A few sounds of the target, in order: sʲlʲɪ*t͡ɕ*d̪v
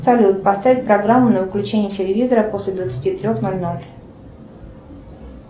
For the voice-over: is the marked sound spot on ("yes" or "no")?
no